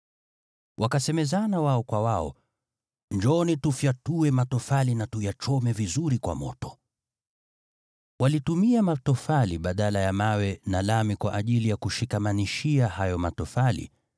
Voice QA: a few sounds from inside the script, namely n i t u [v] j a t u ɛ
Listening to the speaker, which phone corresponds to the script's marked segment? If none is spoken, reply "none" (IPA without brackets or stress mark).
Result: f